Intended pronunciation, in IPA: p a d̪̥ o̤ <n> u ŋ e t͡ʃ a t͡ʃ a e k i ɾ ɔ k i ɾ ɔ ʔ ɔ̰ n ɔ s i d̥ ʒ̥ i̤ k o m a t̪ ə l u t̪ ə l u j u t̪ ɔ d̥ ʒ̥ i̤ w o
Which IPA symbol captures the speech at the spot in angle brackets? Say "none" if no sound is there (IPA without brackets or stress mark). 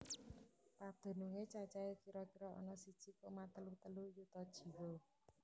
n